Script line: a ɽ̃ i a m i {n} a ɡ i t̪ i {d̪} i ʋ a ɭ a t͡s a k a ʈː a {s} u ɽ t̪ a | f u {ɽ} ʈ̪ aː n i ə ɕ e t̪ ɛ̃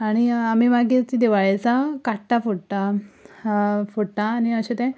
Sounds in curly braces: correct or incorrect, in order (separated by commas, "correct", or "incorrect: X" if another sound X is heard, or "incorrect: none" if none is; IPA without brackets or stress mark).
incorrect: m, correct, incorrect: f, correct